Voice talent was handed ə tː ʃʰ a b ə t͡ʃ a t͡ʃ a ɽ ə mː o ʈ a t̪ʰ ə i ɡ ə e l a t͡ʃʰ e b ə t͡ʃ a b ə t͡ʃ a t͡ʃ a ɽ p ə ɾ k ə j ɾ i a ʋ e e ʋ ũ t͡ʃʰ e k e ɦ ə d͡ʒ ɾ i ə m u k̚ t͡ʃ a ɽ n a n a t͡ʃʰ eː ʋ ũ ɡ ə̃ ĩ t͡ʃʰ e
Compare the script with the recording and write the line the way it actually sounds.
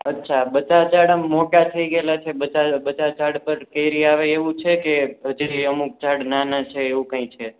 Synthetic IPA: ə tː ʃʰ a b ə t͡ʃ a t͡ʃ a ɽ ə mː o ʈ a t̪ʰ ə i ɡ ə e l a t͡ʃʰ e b ə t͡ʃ a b ə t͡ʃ a t͡ʃ a ɽ p ə ɾ k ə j ɾ i a ʋ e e ʋ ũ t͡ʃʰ e k e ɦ ə d͡ʒ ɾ i ə m u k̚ t͡ʃ a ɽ n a n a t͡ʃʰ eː ʋ ũ k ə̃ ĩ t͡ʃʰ e